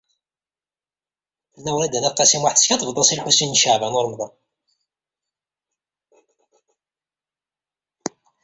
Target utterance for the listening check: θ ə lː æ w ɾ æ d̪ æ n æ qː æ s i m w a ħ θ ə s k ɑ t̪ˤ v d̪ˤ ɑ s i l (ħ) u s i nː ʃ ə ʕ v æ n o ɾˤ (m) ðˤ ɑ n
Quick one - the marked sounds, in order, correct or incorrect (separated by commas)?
correct, correct